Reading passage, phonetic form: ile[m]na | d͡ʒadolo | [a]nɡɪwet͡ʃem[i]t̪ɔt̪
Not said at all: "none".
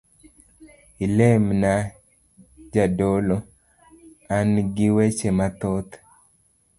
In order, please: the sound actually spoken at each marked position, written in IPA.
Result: m, a, a

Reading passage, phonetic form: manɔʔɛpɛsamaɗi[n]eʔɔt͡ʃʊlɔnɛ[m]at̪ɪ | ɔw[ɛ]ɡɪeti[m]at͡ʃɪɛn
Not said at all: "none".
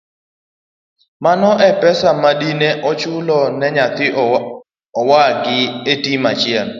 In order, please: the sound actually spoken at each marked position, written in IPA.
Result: n, ɲ, a, m

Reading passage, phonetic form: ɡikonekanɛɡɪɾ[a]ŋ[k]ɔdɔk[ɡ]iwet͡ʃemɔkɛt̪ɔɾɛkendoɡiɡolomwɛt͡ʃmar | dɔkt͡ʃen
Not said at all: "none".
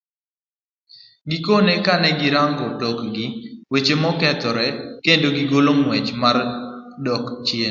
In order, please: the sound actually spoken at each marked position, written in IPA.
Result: a, ɡ, ɡ

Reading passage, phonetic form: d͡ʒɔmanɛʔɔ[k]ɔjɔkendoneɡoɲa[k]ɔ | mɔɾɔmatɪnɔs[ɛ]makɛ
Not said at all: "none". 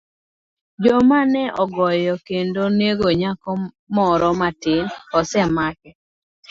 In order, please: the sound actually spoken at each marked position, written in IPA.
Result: ɡ, k, ɛ

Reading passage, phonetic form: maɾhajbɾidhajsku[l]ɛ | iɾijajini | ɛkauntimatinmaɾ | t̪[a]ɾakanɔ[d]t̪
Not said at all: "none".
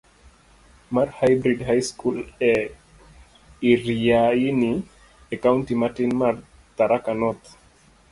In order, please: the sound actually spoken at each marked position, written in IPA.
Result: l, a, none

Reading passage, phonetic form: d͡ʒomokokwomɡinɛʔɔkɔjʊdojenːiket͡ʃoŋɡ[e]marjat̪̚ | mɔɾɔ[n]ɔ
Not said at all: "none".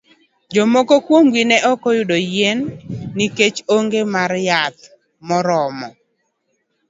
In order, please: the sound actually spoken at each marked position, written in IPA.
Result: e, m

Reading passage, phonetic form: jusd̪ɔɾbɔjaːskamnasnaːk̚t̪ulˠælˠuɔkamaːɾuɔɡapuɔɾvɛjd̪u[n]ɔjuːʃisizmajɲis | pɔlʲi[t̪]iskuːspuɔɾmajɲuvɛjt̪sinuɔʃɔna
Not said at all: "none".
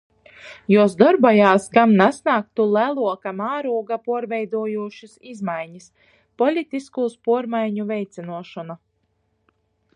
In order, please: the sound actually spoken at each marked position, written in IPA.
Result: none, t̪

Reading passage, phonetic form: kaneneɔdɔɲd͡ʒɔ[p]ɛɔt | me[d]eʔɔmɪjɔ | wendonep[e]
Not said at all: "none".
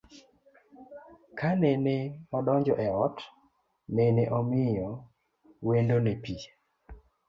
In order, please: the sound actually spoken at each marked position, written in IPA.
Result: ʔ, n, i

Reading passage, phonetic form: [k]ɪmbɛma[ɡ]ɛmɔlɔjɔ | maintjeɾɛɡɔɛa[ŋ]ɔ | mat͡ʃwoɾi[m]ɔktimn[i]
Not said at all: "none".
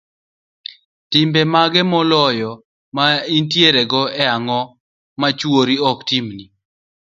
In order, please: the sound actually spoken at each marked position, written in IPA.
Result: t, ɡ, ŋ, none, i

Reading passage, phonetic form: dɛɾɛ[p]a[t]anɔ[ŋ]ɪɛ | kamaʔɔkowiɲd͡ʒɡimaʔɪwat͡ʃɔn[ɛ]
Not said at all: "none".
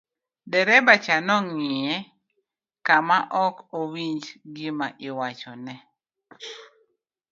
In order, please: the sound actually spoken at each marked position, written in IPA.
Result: b, t͡ʃ, ŋ, ɛ

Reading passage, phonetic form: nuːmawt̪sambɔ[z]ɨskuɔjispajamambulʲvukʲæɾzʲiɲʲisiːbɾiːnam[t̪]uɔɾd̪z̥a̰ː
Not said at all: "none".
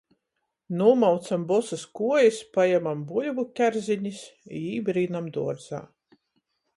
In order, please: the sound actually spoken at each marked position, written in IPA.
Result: s, d̪

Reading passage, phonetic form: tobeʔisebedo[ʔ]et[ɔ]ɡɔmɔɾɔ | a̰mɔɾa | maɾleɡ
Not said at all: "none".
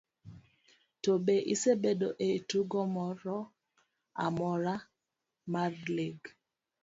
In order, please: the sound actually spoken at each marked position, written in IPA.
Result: ʔ, u

